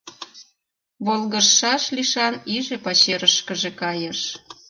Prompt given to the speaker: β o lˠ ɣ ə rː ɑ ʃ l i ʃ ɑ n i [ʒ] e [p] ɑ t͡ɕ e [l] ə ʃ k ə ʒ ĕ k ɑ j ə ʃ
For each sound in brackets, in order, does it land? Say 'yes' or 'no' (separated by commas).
yes, yes, no